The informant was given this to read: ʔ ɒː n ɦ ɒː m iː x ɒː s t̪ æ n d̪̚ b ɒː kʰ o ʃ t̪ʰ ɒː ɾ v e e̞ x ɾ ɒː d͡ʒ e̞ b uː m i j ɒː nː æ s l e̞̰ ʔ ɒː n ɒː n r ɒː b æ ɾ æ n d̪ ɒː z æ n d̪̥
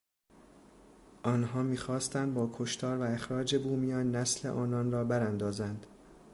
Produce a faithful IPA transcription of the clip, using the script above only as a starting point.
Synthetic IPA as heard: ʔ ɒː n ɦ ɒː m iː x ɒː s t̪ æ n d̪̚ b ɒː kʰ o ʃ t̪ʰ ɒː ɾ v æ e̞ x ɾ ɒː d͡ʒ e̞ b uː m i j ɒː nː æ s l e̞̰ ʔ ɒː n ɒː n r ɒː b æ ɾ æ n d̪ ɒː z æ n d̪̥